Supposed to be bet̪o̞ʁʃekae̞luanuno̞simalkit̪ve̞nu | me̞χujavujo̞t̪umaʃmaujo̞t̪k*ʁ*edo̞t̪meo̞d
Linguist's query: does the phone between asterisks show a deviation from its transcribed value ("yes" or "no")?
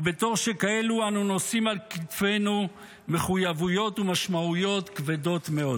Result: yes